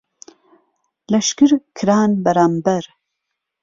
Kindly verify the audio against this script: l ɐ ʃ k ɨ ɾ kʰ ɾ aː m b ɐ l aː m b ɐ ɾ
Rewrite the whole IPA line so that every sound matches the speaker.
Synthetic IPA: l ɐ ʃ k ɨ ɾ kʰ ɾ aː n b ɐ ɾ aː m b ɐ ɾ